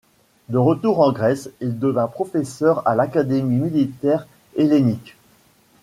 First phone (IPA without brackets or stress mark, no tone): d̪